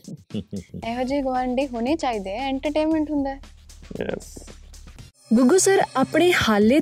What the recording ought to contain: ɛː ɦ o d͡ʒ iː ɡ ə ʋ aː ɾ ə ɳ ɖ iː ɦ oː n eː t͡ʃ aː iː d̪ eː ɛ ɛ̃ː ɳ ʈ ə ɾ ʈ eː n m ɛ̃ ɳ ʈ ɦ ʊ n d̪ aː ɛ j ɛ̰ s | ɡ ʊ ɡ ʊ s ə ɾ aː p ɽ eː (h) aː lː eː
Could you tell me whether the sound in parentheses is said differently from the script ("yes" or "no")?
no